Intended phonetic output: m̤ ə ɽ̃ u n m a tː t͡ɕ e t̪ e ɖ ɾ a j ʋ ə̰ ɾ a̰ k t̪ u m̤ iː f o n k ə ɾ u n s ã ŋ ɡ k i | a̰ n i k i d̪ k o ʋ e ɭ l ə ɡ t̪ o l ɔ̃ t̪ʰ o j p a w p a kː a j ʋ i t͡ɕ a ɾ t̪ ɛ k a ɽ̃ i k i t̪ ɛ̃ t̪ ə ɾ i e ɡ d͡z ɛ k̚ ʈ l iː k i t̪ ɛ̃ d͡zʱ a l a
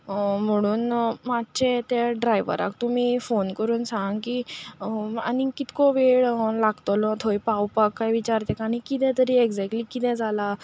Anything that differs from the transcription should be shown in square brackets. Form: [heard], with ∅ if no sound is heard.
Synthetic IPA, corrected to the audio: m̤ ə ɽ̃ [uː] n m a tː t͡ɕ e t̪ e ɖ ɾ a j ʋ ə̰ ɾ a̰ k t̪ u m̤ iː f o n k ə ɾ [uː] n s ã ŋ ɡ k i | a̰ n i k i [t̪] k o ʋ e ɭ l [a] ɡ t̪ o l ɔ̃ t̪ʰ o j p a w p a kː a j ʋ i t͡ɕ a ɾ t̪ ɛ k a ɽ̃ i k i t̪ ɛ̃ t̪ ə ɾ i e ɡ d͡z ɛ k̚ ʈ l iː k i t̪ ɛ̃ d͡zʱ a l a